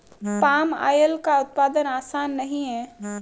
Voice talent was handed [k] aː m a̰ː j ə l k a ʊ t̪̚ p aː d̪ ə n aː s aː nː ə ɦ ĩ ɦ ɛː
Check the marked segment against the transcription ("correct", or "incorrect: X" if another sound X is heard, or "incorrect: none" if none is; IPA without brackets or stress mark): incorrect: p